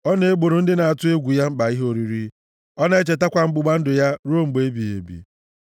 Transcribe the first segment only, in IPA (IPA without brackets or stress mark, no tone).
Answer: ɔ